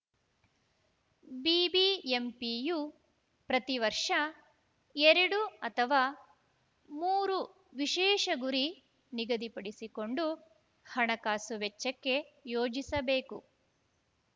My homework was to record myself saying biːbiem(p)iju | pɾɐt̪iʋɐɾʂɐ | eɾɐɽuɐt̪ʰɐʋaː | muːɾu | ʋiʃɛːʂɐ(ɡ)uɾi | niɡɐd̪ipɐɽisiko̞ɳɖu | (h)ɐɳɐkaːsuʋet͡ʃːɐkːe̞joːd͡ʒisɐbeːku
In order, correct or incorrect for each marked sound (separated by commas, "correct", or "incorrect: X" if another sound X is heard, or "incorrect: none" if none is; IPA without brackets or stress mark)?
correct, correct, correct